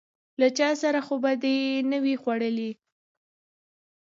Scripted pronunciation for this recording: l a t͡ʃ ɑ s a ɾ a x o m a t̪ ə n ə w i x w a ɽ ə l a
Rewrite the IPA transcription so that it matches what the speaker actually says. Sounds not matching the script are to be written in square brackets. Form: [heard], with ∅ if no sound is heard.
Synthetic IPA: l a t͡ʃ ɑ s a ɾ a x o [b] a [d̪] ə n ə w i x w a ɽ ə l [i]